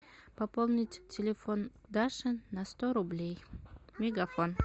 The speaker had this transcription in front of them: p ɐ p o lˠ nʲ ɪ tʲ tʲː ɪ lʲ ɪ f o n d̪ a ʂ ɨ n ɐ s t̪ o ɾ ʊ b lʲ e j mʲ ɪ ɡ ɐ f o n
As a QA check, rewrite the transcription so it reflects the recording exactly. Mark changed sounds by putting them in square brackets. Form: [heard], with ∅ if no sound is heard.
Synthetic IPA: p ɐ p o lˠ nʲ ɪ tʲ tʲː ɪ lʲ ɪ f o n d̪ a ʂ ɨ n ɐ s t̪ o ɾ ʊ b lʲ e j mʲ ɪ ɡ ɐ f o n